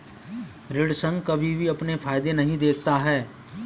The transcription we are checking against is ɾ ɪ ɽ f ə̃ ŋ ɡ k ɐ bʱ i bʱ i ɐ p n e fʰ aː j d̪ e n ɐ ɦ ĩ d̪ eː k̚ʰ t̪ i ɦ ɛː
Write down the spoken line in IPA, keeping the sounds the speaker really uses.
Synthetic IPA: ɾ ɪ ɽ s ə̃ ŋ ɡ k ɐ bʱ i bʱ i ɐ p n e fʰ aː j d̪ e n ɐ ɦ ĩ d̪ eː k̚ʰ t̪ a ɦ ɛː